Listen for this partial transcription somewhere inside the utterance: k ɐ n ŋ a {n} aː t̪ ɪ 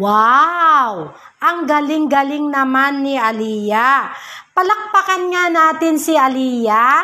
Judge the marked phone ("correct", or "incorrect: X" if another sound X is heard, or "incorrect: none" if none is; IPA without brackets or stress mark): correct